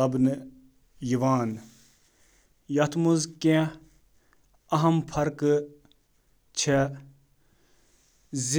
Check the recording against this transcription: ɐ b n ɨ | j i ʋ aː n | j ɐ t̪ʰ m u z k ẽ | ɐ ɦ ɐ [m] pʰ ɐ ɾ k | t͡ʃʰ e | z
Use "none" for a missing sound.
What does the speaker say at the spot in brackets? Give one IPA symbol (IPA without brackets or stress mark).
m